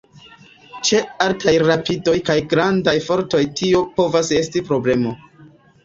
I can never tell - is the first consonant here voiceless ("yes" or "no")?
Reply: yes